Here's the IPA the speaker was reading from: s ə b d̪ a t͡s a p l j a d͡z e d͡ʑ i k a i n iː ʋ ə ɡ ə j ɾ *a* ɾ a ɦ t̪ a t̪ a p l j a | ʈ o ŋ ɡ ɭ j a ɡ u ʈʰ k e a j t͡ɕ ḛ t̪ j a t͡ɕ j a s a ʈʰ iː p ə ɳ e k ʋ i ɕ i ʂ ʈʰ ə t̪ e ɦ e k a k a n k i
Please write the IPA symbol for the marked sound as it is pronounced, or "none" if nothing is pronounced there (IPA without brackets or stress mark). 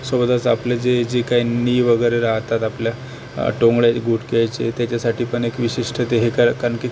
e